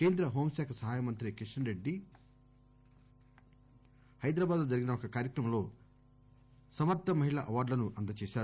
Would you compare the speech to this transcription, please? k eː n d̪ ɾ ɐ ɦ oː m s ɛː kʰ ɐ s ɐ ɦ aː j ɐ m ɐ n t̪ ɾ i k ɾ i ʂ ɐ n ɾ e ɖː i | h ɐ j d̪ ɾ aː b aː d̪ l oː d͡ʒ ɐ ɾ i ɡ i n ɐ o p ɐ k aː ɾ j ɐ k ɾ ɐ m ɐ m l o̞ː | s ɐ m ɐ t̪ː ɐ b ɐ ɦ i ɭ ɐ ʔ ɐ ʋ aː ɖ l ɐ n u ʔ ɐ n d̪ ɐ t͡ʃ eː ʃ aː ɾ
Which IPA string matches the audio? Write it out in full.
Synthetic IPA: k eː n d̪ ɾ ɐ ɦ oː m s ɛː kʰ ɐ s ɐ ɦ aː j ɐ m ɐ n t̪ ɾ i k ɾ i ʂ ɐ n ɾ e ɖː i | h ɐ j d̪ ɾ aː b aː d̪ l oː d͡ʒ ɐ ɾ i ɡ i n ɐ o k ɐ k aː ɾ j ɐ k ɾ ɐ m ɐ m l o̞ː | s ɐ m ɐ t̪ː ɐ m ɐ ɦ i ɭ ɐ ʔ ɐ ʋ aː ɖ l ɐ n u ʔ ɐ n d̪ ɐ t͡ʃ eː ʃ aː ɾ